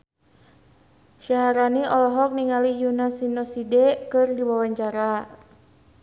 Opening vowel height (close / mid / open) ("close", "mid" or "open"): open